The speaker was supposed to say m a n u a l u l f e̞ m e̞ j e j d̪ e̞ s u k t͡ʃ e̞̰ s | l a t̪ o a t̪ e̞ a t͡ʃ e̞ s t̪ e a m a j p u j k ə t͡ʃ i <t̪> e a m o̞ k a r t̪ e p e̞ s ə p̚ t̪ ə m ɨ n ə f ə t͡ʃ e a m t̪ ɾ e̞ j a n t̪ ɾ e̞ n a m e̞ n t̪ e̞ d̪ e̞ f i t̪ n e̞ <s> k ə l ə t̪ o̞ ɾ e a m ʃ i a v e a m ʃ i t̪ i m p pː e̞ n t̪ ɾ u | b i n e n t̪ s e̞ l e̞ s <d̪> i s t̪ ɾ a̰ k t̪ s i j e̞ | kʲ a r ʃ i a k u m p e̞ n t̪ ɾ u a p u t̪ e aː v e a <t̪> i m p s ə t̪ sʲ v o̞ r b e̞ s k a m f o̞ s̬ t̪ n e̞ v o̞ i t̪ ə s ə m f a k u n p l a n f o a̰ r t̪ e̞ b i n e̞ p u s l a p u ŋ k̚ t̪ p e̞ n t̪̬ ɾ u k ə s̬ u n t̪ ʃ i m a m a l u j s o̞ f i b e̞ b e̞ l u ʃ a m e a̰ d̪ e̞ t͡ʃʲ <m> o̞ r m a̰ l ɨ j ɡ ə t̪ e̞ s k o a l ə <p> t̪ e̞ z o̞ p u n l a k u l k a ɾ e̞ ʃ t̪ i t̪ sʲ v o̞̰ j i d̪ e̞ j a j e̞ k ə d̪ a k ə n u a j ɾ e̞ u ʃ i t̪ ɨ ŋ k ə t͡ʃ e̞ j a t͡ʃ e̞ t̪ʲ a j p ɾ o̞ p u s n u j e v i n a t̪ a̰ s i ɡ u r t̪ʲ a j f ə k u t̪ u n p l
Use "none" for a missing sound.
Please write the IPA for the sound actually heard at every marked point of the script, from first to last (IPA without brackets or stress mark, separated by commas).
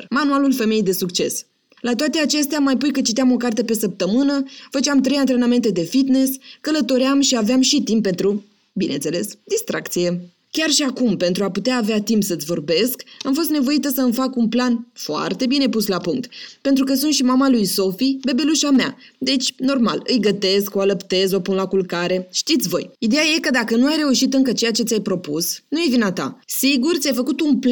t̪, s, d̪, t̪, n, p